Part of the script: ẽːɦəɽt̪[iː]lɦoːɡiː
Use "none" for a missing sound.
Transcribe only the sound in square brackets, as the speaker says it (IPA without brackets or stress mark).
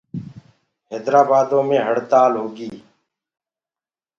aː